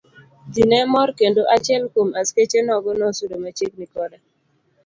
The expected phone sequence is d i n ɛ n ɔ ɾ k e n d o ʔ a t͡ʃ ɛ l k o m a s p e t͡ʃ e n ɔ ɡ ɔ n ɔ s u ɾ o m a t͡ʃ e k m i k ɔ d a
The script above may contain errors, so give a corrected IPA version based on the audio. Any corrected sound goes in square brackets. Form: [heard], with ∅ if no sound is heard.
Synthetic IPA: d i n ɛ [m] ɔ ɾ k e n d o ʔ a t͡ʃ ɛ l k o m a s [k] e t͡ʃ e n ɔ ɡ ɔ n ɔ s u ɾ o m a t͡ʃ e k [n] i k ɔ d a